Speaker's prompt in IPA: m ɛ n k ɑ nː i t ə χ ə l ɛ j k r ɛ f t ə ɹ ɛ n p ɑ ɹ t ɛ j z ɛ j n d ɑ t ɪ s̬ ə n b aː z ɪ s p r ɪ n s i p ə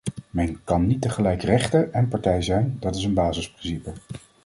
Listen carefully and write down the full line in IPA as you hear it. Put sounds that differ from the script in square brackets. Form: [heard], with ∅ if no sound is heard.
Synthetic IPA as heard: m ɛ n k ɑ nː i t ə χ ə l ɛ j k r ɛ [χ] t ə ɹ ɛ n p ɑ ɹ t ɛ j z ɛ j n d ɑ t ɪ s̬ ə n b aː z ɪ s p r ɪ n s i p ə